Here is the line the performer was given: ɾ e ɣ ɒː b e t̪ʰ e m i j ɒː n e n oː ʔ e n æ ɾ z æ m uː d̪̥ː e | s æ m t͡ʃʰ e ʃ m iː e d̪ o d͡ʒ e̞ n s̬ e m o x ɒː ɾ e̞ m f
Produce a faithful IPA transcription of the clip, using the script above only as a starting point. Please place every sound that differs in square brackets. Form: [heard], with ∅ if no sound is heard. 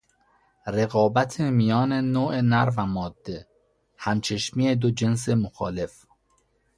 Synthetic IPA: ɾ e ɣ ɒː b [æ] t̪ʰ e m i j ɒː n e n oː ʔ e n æ ɾ [v] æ m [ɒː] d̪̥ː e | [h] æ m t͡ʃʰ e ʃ m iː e d̪ o d͡ʒ e̞ n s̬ e m o x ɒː [l] e̞ [∅] f